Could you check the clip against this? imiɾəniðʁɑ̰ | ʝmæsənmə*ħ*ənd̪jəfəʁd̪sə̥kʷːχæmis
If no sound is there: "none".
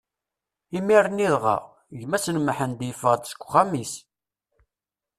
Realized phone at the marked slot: ħ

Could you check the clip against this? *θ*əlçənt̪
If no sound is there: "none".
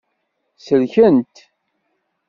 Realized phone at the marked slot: s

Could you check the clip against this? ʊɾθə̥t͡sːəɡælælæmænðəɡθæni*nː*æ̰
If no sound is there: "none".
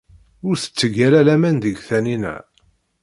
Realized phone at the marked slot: n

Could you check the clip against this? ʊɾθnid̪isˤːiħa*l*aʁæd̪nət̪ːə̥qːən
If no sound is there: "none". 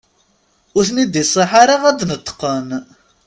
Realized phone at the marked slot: ɾ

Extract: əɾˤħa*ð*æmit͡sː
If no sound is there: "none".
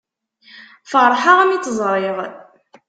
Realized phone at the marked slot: ʁ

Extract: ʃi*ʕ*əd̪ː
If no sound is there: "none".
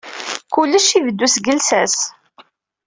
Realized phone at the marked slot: v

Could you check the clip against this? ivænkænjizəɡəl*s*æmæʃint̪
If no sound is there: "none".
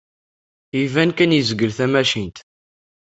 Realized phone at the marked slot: θ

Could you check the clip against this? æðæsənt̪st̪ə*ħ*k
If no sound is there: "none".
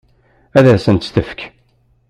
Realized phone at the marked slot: f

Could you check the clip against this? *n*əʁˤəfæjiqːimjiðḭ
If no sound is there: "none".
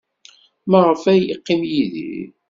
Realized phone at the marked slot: m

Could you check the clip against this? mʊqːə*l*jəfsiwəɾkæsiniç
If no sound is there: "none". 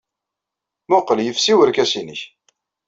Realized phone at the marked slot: l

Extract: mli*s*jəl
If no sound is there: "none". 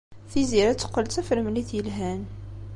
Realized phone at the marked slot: θ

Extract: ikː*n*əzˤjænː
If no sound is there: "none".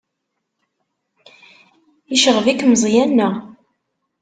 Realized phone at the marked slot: m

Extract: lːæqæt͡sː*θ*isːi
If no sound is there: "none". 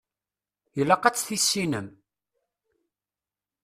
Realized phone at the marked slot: θ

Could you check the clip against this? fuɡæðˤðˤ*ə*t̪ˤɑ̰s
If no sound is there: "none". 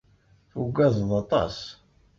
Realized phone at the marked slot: ɑ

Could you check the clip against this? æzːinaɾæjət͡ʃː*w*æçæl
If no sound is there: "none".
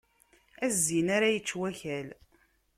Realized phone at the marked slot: w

